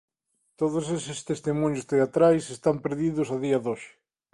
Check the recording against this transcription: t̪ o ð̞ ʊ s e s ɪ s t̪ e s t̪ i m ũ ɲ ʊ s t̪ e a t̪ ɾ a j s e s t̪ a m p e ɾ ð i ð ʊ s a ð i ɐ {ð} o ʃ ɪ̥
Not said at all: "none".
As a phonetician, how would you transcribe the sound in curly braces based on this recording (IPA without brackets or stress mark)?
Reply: ð